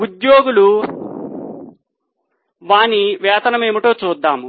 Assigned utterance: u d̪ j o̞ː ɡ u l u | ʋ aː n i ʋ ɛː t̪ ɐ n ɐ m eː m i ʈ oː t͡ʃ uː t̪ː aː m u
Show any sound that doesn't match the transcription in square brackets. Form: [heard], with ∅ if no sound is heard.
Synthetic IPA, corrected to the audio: u d̪ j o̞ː ɡ u l u | ʋ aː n i ʋ ɛː t̪ ɐ n ɐ m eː m i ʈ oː t͡ʃ uː [d̪ː] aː m u